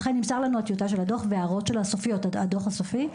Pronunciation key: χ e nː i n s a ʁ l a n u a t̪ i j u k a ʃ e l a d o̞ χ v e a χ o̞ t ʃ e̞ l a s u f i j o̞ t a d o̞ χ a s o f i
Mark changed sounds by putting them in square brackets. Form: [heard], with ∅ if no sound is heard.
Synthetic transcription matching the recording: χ e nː i [m] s a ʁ l a n u a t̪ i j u [t] a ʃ e l a d o̞ χ v e a [ʁ] o̞ t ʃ e̞ l a s [o] f i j o̞ t a d o̞ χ a s o f i